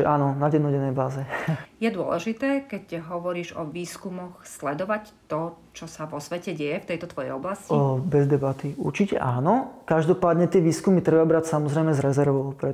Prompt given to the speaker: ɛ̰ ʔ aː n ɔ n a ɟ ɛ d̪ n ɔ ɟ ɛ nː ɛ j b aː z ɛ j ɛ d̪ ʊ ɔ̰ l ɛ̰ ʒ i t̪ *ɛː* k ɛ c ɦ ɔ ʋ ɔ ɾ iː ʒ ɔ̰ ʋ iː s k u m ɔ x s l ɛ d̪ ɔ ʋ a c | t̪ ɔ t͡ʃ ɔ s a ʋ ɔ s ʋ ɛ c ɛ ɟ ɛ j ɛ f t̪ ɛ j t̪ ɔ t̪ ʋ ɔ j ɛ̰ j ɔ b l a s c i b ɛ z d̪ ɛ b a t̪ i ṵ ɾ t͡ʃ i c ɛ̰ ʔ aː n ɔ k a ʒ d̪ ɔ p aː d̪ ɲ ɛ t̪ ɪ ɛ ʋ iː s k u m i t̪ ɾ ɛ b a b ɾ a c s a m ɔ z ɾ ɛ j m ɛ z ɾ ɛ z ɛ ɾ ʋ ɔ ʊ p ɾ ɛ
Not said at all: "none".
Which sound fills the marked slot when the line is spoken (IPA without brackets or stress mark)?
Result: ɛː